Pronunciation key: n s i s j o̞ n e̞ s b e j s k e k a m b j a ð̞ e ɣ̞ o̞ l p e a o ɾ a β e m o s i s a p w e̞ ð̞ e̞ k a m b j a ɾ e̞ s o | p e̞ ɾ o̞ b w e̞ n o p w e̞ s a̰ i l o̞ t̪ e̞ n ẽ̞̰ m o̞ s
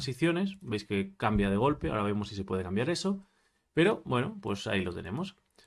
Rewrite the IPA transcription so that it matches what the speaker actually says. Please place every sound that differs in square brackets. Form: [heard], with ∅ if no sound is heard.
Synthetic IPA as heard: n s i [θ] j o̞ n e̞ s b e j s k e k a m b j a ð̞ e ɣ̞ o̞ l p e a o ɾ a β e m o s i s [e] p w e̞ ð̞ e̞ k a m b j a ɾ e̞ s o | p e̞ ɾ o̞ b w e̞ n o p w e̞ s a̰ i l o̞ t̪ e̞ n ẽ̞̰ m o̞ s